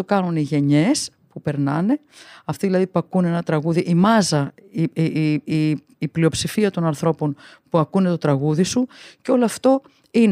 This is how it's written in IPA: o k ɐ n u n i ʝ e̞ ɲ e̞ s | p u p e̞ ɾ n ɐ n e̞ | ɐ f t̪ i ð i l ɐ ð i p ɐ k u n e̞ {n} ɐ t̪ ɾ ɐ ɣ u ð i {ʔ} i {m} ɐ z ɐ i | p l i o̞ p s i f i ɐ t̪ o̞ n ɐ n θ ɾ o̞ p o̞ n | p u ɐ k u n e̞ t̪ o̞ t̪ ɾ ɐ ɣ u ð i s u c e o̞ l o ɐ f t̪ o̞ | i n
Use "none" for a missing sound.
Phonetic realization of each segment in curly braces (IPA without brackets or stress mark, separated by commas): n, ʔ, m